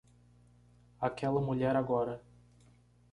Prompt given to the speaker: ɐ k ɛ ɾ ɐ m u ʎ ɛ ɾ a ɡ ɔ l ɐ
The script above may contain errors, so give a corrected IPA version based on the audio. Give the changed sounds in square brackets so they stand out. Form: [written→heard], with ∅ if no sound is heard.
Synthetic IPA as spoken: [ɐ→a] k ɛ [ɾ→l] ɐ m u ʎ ɛ ɾ a ɡ ɔ [l→ɾ] ɐ